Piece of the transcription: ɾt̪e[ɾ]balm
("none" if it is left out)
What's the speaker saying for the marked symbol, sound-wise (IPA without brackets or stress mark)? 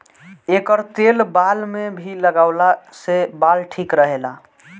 l